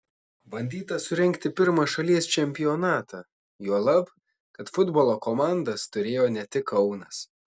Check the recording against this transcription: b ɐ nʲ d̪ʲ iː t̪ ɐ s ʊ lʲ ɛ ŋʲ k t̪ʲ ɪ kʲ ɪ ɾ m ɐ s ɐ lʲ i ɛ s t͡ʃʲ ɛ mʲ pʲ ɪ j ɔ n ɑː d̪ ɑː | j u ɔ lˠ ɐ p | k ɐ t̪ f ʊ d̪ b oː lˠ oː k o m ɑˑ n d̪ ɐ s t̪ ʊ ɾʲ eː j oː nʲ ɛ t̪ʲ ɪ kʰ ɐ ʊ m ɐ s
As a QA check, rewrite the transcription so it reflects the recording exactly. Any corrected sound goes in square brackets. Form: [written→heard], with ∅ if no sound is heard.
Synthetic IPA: b ɐ nʲ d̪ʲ iː t̪ ɐ s ʊ [lʲ→ɾʲ] ɛ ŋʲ k t̪ʲ ɪ [kʲ→pʲ] ɪ ɾ m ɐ [s→ʃ] ɐ lʲ i ɛ s t͡ʃʲ ɛ mʲ pʲ ɪ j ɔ n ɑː [d̪→t̪] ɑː | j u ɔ lˠ ɐ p | k ɐ t̪ f ʊ d̪ b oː lˠ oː k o m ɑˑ n d̪ ɐ s t̪ ʊ ɾʲ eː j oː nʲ ɛ t̪ʲ ɪ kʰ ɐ ʊ [m→n] ɐ s

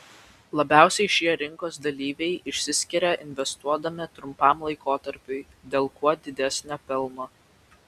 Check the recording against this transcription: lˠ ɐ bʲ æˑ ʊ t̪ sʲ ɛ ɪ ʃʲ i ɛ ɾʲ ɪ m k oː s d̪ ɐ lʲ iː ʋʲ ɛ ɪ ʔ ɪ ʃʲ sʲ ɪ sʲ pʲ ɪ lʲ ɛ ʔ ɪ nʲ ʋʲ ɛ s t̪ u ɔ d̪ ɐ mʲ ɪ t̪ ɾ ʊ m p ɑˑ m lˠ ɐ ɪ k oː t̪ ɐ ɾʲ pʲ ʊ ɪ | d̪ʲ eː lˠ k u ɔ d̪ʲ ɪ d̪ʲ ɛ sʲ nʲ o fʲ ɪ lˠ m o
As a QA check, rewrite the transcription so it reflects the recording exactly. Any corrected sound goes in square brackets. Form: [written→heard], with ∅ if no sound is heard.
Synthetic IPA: lˠ ɐ bʲ æˑ ʊ [t̪→∅] sʲ ɛ ɪ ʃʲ i ɛ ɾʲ ɪ [m→ŋ] k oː s d̪ ɐ lʲ iː ʋʲ ɛ ɪ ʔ ɪ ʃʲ sʲ ɪ sʲ [pʲ→kʲ] ɪ [lʲ→ɾʲ] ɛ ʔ ɪ nʲ ʋʲ ɛ s t̪ u ɔ d̪ ɐ mʲ ɪ t̪ ɾ ʊ m p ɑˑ m lˠ ɐ ɪ k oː t̪ ɐ ɾʲ pʲ ʊ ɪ | d̪ʲ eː lˠ k u ɔ d̪ʲ ɪ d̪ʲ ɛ sʲ nʲ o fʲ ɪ lˠ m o

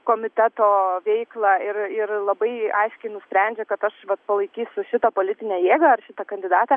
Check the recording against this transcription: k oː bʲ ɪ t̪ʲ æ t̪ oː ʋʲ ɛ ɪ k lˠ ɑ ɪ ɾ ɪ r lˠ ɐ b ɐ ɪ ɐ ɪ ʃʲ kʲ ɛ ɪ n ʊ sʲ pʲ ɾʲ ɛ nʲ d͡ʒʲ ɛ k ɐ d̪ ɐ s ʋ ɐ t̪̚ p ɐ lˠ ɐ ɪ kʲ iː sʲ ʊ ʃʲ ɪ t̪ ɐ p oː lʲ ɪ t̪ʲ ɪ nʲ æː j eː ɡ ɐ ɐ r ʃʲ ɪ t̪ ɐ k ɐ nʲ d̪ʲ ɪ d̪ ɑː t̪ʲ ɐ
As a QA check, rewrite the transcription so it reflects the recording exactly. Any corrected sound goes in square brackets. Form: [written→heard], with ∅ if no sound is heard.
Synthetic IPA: k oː [bʲ→mʲ] ɪ t̪ʲ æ t̪ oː ʋʲ ɛ ɪ k lˠ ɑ ɪ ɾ ɪ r lˠ ɐ b ɐ ɪ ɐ ɪ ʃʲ kʲ ɛ ɪ n ʊ sʲ pʲ ɾʲ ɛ nʲ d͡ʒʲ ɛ k ɐ [d̪→t̪] ɐ [s→ʃ] ʋ ɐ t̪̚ p ɐ lˠ ɐ ɪ kʲ iː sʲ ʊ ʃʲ ɪ t̪ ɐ p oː lʲ ɪ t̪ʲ ɪ nʲ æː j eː ɡ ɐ ɐ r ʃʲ ɪ t̪ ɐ k ɐ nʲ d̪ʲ ɪ d̪ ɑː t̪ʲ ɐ

